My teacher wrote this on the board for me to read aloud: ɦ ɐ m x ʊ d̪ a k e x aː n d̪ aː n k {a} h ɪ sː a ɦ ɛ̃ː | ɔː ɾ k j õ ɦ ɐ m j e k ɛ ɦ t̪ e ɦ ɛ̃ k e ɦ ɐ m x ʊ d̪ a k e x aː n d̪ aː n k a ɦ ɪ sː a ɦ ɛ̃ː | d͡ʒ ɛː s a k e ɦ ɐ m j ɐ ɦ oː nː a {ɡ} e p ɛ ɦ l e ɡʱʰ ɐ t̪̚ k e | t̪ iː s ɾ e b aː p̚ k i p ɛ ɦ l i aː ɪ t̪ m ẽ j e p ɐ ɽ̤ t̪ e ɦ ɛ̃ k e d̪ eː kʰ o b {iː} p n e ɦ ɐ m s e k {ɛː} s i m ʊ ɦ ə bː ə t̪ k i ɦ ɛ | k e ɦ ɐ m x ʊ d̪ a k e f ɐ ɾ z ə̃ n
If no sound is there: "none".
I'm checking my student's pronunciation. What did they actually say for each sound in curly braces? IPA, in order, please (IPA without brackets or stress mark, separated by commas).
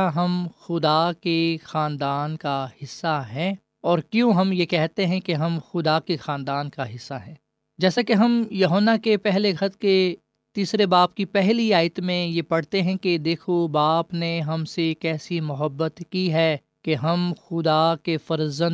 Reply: a, k, aː, ɛː